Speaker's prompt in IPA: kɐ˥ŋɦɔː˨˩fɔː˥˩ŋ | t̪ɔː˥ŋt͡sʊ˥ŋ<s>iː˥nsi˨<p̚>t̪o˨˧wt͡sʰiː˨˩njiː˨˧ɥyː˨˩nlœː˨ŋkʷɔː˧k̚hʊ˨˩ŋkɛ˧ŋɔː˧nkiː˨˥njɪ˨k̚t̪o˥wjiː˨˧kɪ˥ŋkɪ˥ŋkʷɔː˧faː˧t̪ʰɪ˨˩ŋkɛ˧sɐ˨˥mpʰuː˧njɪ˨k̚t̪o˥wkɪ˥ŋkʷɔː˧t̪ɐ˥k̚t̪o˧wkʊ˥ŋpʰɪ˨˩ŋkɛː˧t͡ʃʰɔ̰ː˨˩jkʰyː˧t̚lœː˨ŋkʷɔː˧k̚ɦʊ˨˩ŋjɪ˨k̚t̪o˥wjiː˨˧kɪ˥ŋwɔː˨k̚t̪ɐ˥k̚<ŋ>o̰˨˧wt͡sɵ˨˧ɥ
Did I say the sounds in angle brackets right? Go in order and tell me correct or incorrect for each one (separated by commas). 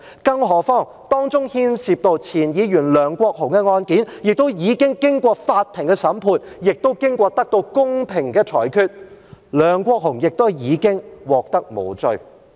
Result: incorrect, correct, incorrect